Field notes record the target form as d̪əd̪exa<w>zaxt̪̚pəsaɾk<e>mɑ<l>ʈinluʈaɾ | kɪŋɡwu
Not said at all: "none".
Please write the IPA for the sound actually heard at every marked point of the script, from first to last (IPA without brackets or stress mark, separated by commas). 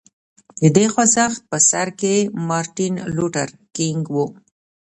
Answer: none, e, ɾ